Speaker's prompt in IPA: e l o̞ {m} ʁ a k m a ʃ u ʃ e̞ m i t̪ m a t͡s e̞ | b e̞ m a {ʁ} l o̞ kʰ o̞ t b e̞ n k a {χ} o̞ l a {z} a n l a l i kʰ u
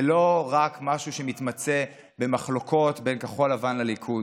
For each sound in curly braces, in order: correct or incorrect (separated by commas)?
incorrect, incorrect, correct, incorrect